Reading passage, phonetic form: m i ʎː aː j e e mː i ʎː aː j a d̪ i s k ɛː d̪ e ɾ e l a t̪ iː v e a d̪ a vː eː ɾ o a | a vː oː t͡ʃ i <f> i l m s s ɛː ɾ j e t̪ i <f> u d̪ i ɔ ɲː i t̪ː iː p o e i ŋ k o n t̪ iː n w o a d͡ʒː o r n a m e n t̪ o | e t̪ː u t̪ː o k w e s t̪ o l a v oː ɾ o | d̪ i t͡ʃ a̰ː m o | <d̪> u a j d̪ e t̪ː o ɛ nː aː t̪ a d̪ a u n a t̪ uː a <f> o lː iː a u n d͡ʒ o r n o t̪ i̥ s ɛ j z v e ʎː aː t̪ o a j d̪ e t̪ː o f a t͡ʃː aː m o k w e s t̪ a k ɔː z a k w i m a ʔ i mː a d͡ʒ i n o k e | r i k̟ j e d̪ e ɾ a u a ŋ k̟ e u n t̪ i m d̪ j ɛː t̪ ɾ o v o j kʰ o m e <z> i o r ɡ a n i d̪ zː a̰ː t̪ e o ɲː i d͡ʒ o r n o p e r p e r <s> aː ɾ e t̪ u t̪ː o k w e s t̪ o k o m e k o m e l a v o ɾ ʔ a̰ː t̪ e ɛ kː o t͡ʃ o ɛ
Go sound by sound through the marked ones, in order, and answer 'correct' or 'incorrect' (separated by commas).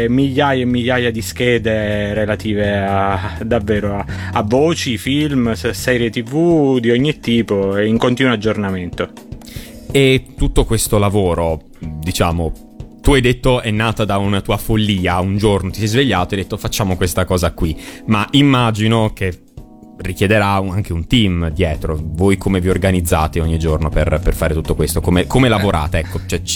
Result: correct, incorrect, incorrect, correct, incorrect, incorrect